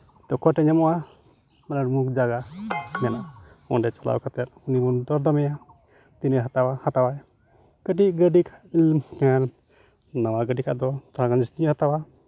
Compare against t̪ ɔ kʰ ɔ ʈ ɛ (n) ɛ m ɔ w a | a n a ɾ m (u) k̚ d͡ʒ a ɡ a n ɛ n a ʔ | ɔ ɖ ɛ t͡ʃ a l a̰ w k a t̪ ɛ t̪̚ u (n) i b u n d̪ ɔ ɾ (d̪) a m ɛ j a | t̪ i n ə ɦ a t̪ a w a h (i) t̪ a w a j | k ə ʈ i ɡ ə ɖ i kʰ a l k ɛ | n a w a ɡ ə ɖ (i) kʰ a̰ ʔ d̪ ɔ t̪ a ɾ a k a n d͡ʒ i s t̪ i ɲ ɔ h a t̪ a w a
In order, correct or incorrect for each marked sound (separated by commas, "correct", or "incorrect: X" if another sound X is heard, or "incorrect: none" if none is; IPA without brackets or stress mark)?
incorrect: ɲ, correct, correct, correct, incorrect: a, correct